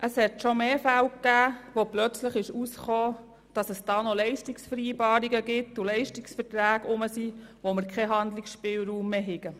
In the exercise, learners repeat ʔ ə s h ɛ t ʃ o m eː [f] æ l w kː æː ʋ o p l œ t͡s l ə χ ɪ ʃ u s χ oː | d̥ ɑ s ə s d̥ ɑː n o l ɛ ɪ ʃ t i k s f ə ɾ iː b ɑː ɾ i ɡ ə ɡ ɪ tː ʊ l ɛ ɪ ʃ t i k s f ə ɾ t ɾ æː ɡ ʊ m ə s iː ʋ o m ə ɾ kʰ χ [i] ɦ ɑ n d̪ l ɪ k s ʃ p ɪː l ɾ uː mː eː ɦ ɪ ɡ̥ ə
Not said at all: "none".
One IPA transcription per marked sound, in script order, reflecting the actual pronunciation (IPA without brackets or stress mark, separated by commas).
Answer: f, ɛ